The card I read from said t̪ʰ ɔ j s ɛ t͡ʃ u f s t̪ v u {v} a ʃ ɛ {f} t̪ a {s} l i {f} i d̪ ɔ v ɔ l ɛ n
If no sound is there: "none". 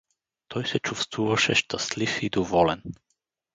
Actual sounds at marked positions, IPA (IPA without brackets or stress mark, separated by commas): v, ʃ, s, f